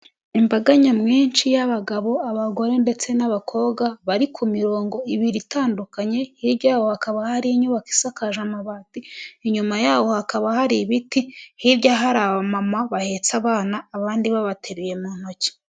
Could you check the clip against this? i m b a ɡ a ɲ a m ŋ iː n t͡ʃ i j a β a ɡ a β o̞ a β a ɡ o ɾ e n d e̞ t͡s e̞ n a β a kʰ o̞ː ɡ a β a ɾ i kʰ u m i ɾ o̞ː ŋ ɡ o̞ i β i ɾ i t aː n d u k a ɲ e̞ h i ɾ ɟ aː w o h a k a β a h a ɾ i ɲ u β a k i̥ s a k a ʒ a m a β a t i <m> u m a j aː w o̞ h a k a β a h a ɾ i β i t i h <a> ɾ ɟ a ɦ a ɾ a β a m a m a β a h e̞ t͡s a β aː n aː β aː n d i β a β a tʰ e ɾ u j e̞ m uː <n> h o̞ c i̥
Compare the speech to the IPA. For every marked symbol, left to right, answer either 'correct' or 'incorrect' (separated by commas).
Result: incorrect, incorrect, correct